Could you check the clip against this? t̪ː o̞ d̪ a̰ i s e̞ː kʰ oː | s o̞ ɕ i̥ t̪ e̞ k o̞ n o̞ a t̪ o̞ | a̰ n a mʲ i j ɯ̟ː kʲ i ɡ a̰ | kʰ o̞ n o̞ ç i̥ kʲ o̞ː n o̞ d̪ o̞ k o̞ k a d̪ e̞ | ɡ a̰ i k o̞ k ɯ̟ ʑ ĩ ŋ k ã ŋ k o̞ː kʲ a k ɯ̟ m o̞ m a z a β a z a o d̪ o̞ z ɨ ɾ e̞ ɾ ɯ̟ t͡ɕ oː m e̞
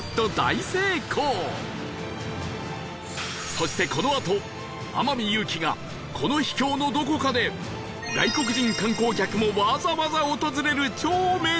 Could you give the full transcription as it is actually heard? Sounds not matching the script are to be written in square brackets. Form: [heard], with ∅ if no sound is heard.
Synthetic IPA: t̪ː o̞ d̪ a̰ i s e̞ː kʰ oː | s o̞ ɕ i̥ t̪ e̞ k o̞ n o̞ a t̪ o̞ | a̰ [m] a mʲ i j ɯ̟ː kʲ i ɡ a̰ | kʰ o̞ n o̞ ç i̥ kʲ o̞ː n o̞ d̪ o̞ k o̞ k a d̪ e̞ | ɡ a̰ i k o̞ k ɯ̟ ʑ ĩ ŋ k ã ŋ k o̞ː kʲ a k ɯ̟ m o̞ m a z a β a z a o [t̪] o̞ z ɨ ɾ e̞ ɾ ɯ̟ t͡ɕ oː m e̞

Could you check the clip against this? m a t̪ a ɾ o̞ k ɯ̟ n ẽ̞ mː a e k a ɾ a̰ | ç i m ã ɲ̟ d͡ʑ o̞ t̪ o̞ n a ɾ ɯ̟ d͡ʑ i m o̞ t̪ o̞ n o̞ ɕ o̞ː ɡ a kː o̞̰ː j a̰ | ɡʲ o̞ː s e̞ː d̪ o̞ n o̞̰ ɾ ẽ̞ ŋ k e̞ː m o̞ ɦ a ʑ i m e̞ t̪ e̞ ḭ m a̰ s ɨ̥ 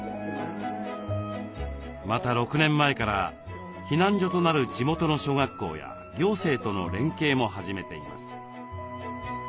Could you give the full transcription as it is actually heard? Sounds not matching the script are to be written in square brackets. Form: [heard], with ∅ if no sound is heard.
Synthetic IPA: m a t̪ a ɾ o̞ k ɯ̟ n ẽ̞ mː a e k a ɾ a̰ | ç i [n] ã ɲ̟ d͡ʑ o̞ t̪ o̞ n a ɾ ɯ̟ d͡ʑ i m o̞ t̪ o̞ n o̞ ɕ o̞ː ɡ a kː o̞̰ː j a̰ | ɡʲ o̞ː s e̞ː [t̪] o̞ n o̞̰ ɾ ẽ̞ ŋ k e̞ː m o̞ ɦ a ʑ i m e̞ t̪ e̞ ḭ m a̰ s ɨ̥

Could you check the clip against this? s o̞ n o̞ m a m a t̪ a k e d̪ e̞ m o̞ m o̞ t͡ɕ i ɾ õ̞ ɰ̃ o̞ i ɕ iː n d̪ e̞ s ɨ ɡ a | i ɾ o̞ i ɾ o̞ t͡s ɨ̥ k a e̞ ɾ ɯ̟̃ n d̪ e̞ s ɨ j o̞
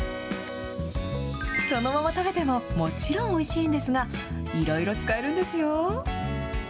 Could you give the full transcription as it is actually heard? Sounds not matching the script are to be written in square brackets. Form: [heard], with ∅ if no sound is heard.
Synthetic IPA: s o̞ n o̞ m a m a t̪ a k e [t̪] e̞ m o̞ m o̞ t͡ɕ i ɾ õ̞ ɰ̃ o̞ i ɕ iː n d̪ e̞ s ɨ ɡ a | i ɾ o̞ i ɾ o̞ t͡s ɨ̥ k a e̞ ɾ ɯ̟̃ n d̪ e̞ s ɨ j o̞

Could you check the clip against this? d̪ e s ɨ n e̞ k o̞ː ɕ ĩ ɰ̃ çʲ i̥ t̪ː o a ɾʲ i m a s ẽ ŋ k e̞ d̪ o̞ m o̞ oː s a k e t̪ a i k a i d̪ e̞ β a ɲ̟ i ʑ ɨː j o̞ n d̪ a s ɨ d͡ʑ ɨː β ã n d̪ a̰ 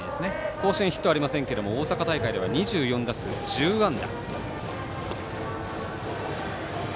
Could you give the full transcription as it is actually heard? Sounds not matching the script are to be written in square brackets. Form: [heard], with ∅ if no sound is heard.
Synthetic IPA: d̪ e s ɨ n e̞ k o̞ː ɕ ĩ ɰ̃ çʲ i̥ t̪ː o a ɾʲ i m a s ẽ ŋ k e̞ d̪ o̞ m o̞ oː s a k [a] t̪ a i k a i d̪ e̞ β a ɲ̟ i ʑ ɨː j [õ̞] n d̪ a s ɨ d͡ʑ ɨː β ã n d̪ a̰

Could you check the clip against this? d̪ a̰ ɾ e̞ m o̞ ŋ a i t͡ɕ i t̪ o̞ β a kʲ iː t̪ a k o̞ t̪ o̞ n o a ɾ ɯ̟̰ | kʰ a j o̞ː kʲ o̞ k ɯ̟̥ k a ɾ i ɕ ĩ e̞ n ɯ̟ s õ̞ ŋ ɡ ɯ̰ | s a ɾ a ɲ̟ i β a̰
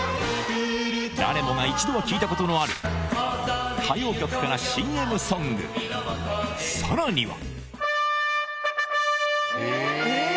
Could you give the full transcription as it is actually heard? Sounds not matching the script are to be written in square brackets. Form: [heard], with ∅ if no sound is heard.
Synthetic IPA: d̪ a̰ ɾ e̞ m o̞ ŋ a i t͡ɕ i [d̪] o̞ β a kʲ iː t̪ a k o̞ t̪ o̞ n o a ɾ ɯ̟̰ | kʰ a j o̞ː kʲ o̞ k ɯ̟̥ k a ɾ [a] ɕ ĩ e̞ [m] ɯ̟ s õ̞ ŋ ɡ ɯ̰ | s a ɾ a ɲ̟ i β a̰

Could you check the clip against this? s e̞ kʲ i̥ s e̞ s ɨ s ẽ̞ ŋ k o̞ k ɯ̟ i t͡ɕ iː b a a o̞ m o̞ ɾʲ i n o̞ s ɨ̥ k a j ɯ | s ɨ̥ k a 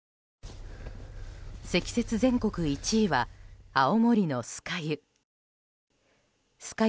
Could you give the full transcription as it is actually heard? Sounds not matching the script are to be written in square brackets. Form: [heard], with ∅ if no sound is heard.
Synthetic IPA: s e̞ kʲ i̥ s e̞ [t͡s] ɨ [z] ẽ̞ ŋ k o̞ k ɯ̟ i t͡ɕ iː [β] a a o̞ m o̞ ɾʲ i n o̞ s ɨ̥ k a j ɯ | s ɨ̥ k a

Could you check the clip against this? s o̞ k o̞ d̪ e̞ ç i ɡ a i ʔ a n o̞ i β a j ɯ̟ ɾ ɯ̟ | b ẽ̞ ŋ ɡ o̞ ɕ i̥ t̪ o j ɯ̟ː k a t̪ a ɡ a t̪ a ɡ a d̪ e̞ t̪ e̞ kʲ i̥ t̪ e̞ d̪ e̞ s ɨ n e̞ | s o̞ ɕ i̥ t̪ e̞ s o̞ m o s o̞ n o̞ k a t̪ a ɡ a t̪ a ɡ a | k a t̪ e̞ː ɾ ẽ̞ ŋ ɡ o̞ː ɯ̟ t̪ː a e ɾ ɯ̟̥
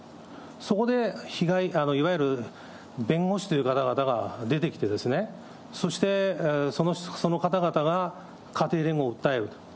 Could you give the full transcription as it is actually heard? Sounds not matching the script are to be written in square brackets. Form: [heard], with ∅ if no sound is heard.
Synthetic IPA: s o̞ k o̞ d̪ e̞ ç i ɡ a i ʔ a n o̞ i β a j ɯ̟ ɾ ɯ̟ | b ẽ̞ ŋ ɡ o̞ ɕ i̥ t̪ o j [ɯ̟] k a t̪ a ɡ a t̪ a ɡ a d̪ e̞ t̪ e̞ kʲ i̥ t̪ e̞ d̪ e̞ s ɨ n e̞ | s o̞ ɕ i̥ t̪ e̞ s o̞ [n] o s o̞ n o̞ k a t̪ a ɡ a t̪ a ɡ a | k a t̪ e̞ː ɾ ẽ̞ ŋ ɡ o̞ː ɯ̟ t̪ː a e ɾ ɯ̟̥

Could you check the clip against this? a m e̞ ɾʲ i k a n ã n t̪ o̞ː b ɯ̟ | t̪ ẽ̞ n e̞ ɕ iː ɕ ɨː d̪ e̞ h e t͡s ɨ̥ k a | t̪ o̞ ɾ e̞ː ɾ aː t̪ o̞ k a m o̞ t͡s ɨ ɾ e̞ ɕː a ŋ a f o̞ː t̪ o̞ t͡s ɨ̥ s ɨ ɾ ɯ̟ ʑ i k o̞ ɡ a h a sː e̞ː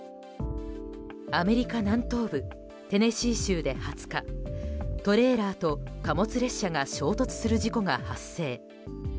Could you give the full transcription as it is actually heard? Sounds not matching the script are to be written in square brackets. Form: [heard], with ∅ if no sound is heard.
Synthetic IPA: a m e̞ ɾʲ i k a n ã n t̪ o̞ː b ɯ̟ | t̪ [e̞] n e̞ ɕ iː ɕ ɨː d̪ e̞ h [a] t͡s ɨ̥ k a | t̪ o̞ ɾ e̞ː ɾ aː t̪ o̞ k a m o̞ t͡s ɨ ɾ e̞ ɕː a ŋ a [ɕ] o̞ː t̪ o̞ t͡s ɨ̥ s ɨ ɾ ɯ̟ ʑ i k o̞ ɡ a h a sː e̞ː

